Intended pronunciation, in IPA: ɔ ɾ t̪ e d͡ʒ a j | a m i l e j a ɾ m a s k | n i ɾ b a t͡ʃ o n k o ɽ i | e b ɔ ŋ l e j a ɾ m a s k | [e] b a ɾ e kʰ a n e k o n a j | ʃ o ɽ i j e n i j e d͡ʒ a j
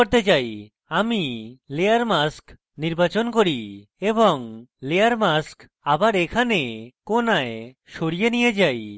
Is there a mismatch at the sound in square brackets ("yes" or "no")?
yes